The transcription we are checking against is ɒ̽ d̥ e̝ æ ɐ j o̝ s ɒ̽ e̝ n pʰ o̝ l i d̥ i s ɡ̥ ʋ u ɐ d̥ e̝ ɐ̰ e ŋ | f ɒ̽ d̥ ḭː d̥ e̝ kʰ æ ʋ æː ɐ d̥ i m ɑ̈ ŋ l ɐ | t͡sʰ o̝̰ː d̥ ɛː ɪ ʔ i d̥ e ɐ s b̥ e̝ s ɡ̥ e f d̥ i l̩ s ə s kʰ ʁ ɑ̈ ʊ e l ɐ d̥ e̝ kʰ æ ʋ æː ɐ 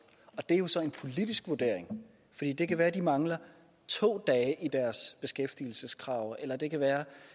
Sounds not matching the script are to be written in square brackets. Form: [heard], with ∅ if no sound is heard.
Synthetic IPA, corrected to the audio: ɒ̽ d̥ e̝ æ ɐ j o̝ s ɒ̽ e̝ n pʰ o̝ l i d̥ i s ɡ̥ ʋ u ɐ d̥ e̝ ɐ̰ e ŋ | f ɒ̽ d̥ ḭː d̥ e̝ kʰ æ ʋ æː ɐ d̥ i m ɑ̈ ŋ l ɐ | t͡sʰ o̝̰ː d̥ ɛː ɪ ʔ i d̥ [æ] ɐ s b̥ e̝ s ɡ̥ e f d̥ i l̩ s ə s kʰ ʁ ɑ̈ ʊ e l ɐ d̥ e̝ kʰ æ ʋ æː ɐ